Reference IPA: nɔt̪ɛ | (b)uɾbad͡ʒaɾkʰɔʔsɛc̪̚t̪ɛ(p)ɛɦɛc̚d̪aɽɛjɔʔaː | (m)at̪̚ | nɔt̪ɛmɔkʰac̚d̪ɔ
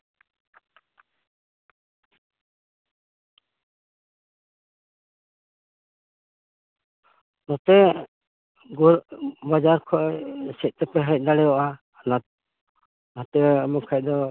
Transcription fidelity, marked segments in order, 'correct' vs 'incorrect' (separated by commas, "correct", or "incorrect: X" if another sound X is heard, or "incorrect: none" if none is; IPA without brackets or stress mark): incorrect: ɡ, correct, incorrect: n